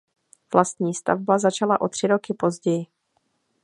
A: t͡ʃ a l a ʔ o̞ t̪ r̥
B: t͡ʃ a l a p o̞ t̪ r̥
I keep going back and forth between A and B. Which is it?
A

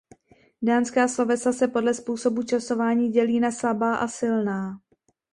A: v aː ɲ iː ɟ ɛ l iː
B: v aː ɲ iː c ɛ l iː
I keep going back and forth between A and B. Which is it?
A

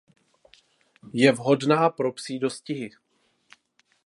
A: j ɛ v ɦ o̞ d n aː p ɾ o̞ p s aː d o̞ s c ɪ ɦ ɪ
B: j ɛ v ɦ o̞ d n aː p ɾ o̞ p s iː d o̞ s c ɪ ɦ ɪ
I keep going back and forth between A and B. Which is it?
B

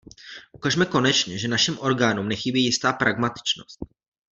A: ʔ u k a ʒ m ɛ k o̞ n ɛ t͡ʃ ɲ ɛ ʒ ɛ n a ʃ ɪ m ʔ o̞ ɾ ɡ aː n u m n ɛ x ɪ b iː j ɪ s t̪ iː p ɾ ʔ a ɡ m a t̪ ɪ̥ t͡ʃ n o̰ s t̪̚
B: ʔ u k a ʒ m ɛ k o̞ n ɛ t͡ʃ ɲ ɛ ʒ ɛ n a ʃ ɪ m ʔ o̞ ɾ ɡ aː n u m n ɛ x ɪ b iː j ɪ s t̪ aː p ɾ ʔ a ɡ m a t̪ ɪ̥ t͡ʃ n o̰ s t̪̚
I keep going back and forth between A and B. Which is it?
B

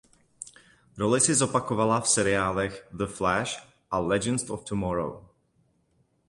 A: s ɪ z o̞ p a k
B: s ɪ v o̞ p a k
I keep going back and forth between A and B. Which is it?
A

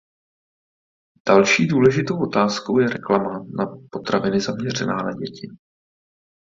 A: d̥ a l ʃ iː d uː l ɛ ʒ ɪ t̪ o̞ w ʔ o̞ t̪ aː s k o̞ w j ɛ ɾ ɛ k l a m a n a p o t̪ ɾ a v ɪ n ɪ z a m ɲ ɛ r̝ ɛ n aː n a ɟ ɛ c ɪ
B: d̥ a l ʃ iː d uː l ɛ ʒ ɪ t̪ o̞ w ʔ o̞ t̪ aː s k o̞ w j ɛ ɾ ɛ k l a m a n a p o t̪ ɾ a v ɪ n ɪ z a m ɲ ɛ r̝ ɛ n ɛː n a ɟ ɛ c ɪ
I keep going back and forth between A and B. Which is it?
A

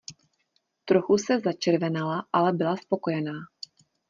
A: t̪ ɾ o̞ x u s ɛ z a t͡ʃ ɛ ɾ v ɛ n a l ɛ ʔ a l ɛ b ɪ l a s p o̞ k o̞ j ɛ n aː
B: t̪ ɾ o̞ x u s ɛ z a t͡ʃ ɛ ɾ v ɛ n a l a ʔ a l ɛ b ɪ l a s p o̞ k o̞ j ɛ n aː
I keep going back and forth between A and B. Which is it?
B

